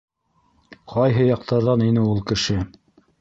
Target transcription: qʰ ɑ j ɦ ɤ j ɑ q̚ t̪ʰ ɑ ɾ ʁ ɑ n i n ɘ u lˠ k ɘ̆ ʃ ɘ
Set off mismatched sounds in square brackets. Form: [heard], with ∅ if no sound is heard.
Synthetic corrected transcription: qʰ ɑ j ɦ ɤ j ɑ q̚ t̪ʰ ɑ ɾ [ð] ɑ n i n ɘ u lˠ k ɘ̆ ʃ ɘ